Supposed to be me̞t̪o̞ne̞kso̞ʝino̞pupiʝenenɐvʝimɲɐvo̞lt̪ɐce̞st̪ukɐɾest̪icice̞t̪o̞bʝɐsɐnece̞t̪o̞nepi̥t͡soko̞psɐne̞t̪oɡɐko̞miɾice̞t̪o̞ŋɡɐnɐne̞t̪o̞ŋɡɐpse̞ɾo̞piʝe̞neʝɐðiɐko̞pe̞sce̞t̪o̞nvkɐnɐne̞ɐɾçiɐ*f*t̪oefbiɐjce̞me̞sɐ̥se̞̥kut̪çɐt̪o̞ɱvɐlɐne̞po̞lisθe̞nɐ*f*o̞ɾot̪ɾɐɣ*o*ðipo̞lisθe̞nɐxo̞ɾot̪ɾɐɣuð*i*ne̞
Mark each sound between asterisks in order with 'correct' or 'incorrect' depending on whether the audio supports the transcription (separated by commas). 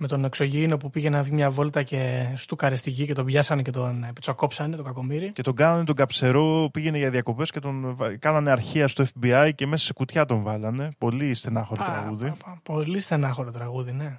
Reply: incorrect, incorrect, incorrect, correct